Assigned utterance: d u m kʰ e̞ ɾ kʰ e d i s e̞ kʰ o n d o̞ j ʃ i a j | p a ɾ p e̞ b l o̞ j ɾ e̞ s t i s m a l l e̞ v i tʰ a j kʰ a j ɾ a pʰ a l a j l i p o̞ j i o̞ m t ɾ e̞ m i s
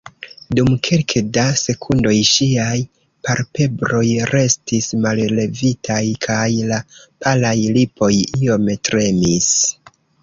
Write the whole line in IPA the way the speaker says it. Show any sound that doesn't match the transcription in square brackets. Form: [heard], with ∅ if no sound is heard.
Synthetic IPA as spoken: d u m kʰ e̞ [l] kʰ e d [a] s e̞ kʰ [u] n d o̞ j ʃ i a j | p a ɾ p e̞ b [ɾ] o̞ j ɾ e̞ s t i s m a l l e̞ v i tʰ a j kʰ a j [l] a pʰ a l a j l i p o̞ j i o̞ m t ɾ e̞ m i s